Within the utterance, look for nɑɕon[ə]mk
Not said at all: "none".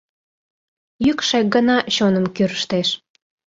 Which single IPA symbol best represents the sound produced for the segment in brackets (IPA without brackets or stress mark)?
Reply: ə